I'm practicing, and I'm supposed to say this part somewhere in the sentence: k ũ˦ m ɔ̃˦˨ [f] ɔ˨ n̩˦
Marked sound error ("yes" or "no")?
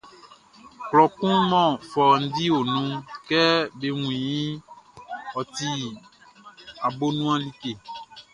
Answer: no